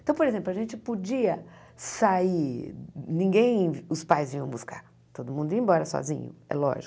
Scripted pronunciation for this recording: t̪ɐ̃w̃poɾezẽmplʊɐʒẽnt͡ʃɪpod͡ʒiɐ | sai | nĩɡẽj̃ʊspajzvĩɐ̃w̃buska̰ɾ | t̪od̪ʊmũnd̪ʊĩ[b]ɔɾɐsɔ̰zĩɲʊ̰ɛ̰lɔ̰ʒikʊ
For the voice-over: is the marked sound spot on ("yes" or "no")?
yes